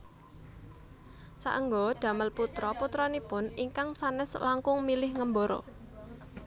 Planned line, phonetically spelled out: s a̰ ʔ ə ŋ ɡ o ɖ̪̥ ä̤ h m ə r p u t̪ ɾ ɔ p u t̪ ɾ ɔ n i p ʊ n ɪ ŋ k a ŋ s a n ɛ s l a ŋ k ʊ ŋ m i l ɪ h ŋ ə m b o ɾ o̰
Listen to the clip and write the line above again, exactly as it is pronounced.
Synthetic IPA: s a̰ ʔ ə ŋ ɡ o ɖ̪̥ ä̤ m ə l p u t̪ ɾ ɔ p u t̪ ɾ ɔ n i p ʊ n i ŋ k a ŋ s a n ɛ s l a ŋ k ʊ ŋ m i l ɪ h ŋ ə m b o ɾ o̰